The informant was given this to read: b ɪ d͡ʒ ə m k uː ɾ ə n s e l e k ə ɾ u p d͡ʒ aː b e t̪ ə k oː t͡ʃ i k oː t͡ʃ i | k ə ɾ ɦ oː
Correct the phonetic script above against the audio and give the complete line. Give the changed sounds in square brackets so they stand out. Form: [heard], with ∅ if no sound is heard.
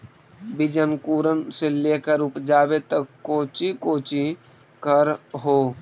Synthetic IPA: b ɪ d͡ʒ ə [n] k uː ɾ ə n s e l e k ə ɾ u p d͡ʒ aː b e t̪ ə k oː t͡ʃ i k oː t͡ʃ i | k ə ɾ ɦ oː